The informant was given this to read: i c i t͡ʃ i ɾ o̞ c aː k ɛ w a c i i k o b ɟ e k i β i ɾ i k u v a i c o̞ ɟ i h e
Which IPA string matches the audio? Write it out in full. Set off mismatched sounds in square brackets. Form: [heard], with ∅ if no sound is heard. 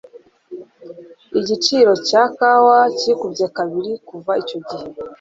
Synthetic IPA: i [ɟ] i t͡ʃ i ɾ o̞ c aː k [a] w a c i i k [u] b ɟ e k [a] β i ɾ i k u v a i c o̞ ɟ i h e